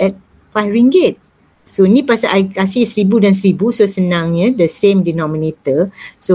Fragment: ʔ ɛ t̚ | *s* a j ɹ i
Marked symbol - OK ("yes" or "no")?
no